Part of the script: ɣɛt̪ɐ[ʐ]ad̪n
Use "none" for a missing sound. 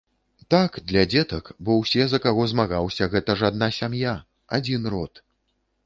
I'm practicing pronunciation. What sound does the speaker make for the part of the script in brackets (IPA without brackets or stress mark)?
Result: ʐ